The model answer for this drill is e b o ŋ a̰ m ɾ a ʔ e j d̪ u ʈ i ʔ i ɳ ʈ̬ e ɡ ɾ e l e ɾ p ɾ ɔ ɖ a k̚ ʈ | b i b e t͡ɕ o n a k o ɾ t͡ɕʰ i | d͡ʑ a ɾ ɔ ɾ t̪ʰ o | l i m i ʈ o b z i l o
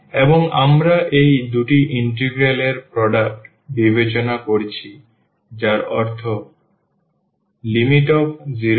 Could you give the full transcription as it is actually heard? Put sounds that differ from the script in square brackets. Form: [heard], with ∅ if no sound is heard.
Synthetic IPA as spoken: e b o ŋ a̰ m ɾ a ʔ e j d̪ u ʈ i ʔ i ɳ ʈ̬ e ɡ ɾ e l e ɾ p ɾ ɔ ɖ a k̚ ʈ | b i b e t͡ɕ o n a k o ɾ t͡ɕʰ i | d͡ʑ a ɾ ɔ ɾ t̪ʰ o | l i m i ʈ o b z i [ɾ] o